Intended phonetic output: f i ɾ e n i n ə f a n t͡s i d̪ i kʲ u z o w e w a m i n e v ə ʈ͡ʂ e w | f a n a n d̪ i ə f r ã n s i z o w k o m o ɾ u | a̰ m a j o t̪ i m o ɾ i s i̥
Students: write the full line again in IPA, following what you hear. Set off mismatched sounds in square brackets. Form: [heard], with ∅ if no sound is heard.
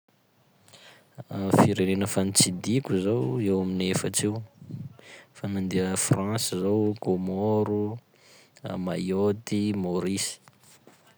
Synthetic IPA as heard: f i ɾ e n [e] n ə f a n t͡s i d̪ i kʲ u z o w e w a m i n e [f] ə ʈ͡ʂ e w | f a n a n d̪ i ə f r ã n s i z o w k o m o ɾ u | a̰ m a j o t̪ i m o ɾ i s i̥